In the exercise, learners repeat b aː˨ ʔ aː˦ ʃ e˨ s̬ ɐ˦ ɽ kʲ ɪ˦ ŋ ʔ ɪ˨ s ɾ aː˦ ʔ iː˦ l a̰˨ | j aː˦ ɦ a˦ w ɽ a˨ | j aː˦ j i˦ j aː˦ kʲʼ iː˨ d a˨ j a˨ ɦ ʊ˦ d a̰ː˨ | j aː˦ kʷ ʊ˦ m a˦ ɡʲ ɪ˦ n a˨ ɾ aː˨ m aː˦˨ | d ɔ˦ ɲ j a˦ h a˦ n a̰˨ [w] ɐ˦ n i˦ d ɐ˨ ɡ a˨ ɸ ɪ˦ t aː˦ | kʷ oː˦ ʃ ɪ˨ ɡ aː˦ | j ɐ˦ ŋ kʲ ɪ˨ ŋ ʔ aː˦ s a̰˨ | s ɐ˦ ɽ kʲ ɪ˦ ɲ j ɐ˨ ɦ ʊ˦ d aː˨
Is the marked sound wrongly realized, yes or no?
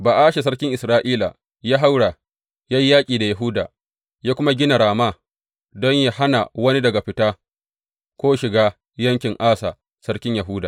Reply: no